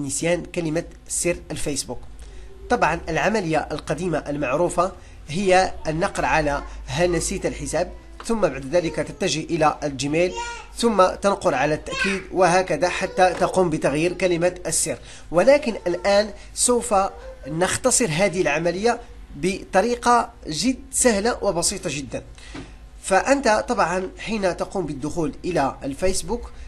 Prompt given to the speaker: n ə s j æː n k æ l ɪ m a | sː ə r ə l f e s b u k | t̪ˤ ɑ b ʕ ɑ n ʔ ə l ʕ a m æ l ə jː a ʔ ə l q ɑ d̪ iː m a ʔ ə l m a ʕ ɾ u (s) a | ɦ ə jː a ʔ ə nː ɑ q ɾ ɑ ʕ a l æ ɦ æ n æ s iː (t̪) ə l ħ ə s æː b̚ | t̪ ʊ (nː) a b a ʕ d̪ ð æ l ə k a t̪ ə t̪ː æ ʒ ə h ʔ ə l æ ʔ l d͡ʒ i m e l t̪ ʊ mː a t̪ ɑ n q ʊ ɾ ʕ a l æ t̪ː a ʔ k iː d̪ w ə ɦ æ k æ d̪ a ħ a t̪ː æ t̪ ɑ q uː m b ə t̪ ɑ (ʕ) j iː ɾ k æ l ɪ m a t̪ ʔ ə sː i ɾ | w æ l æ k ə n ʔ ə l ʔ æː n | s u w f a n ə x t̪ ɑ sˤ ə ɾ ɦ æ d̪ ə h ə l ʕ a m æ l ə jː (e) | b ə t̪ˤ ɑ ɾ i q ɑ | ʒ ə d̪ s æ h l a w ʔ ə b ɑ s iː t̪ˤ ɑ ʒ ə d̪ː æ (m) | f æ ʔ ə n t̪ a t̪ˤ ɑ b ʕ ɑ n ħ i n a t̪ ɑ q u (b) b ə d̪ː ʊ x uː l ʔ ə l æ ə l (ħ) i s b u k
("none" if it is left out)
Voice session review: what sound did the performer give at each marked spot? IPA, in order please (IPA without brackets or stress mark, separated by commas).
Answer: f, t̪, mː, ɣ, a, n, m, f